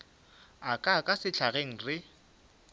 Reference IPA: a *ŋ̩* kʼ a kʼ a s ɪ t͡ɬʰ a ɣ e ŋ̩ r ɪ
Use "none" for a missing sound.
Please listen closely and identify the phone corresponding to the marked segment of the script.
none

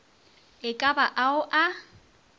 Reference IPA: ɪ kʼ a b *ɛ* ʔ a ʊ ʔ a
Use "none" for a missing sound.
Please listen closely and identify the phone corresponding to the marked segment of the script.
a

